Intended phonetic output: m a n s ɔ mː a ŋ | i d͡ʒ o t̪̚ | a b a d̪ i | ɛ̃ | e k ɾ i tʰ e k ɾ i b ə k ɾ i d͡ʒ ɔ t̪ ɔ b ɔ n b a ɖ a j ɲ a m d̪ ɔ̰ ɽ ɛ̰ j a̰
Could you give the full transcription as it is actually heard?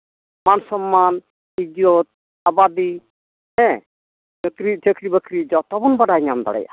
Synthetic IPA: m a n s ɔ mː a n | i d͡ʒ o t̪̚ | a b a d̪ i | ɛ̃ | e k ɾ i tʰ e k ɾ i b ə k ɾ i d͡ʒ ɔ t̪ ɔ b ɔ n b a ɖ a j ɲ a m d̪ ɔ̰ ɽ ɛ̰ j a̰